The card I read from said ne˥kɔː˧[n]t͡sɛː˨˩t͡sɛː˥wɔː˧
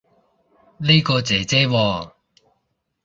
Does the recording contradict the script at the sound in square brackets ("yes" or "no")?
yes